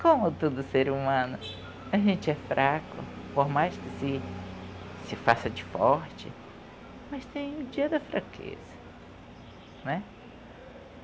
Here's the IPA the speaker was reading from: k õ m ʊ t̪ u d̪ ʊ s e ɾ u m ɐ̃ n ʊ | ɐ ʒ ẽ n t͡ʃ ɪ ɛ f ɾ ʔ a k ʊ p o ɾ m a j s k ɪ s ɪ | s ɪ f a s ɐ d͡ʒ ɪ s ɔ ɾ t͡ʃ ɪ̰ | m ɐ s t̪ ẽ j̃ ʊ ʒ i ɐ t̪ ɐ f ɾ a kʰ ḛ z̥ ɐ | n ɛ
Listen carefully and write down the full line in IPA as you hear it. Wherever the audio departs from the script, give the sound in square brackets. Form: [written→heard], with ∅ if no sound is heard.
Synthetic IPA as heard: k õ m ʊ t̪ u d̪ ʊ s e ɾ u m ɐ̃ n ʊ | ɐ ʒ ẽ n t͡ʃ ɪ ɛ f ɾ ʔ a k ʊ p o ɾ m a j s k ɪ s ɪ | s ɪ f a s ɐ d͡ʒ ɪ [s→f] ɔ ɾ t͡ʃ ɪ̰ | m ɐ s t̪ ẽ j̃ ʊ [ʒ→d͡ʒ] i ɐ [t̪→d̪] ɐ f ɾ a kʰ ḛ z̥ ɐ | n ɛ